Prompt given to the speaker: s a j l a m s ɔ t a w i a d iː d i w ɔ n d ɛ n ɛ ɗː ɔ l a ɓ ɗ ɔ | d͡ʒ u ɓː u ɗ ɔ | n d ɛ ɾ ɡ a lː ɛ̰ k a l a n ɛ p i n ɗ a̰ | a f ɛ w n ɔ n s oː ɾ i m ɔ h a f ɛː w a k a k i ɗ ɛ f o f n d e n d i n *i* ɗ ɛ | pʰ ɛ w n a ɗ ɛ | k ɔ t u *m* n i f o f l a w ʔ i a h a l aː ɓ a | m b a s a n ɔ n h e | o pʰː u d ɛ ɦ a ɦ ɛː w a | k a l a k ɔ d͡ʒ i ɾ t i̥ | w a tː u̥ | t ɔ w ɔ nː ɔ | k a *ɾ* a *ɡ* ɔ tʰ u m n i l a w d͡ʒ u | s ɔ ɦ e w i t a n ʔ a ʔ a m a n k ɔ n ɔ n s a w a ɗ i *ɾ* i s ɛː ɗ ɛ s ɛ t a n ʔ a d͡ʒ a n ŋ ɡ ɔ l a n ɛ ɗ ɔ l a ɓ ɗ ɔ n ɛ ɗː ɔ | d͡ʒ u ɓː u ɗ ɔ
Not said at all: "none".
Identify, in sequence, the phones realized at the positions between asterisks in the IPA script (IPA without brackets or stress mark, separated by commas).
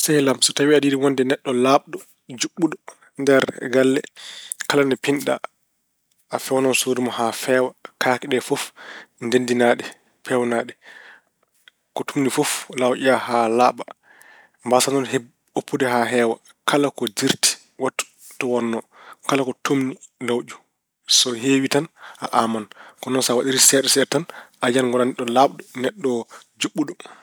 a, m, l, k, ɾ